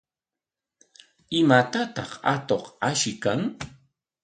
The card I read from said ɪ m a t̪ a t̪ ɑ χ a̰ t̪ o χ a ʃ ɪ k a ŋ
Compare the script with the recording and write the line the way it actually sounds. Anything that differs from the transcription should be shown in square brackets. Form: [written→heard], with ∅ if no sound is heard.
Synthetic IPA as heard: ɪ m a t̪ a t̪ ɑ χ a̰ t̪ o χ a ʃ ɪ k a ŋ